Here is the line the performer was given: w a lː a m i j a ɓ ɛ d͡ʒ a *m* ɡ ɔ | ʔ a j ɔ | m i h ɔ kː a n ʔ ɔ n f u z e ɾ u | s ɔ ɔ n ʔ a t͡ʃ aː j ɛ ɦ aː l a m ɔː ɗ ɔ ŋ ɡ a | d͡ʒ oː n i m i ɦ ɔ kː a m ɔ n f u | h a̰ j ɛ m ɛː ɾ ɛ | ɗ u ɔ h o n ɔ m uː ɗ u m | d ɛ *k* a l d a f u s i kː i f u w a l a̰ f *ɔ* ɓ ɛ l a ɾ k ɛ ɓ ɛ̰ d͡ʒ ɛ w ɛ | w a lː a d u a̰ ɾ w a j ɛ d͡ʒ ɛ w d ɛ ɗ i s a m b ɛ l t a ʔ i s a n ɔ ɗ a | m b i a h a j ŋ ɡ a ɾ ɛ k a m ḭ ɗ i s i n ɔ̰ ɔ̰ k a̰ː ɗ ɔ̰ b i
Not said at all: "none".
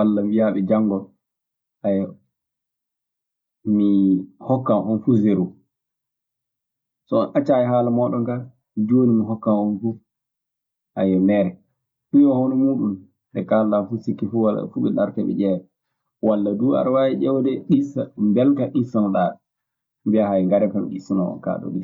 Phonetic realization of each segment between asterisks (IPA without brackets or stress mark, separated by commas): ŋ, k, u